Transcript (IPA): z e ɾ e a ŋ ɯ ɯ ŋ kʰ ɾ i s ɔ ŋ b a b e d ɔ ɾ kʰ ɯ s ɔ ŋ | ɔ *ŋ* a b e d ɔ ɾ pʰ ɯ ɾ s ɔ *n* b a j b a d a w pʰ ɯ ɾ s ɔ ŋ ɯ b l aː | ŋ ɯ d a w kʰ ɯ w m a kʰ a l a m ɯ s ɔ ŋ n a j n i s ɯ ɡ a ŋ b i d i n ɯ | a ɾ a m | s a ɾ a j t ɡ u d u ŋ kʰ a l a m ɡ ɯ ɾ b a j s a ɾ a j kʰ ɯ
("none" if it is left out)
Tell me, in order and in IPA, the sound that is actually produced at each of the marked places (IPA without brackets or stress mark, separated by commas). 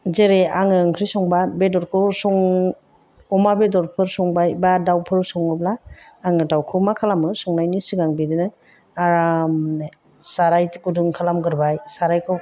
m, ŋ